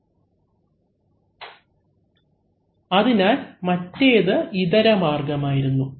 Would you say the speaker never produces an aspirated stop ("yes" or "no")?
yes